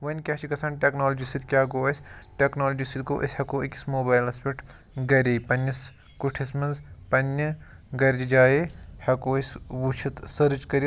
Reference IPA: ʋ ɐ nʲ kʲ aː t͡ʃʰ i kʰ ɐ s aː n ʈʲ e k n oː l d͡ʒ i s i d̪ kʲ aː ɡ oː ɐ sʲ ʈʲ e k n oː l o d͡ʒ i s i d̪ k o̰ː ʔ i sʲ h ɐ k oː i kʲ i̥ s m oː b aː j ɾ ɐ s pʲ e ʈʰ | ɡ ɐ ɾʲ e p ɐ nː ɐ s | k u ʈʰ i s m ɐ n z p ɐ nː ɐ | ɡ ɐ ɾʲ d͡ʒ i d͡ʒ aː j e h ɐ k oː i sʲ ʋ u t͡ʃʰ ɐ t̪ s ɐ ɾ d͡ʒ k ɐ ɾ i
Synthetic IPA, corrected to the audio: ʋ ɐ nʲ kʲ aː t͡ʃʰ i k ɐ s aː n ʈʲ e k n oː l d͡ʒ i s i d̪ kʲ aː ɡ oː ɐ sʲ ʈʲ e k n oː l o d͡ʒ i s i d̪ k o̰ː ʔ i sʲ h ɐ k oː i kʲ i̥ s m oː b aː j l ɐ s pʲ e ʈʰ | ɡ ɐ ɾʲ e p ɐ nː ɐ s | k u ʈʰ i s m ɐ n z p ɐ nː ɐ | ɡ ɐ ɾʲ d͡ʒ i d͡ʒ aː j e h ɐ k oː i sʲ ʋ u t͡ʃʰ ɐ t̪ s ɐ ɾ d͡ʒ k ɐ ɾ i